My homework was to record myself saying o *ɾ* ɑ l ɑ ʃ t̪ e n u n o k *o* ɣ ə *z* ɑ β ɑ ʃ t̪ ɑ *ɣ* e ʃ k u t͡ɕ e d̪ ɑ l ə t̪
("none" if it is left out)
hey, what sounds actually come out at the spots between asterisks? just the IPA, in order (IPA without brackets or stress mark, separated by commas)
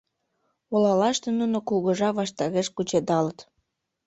l, u, ʒ, ɣ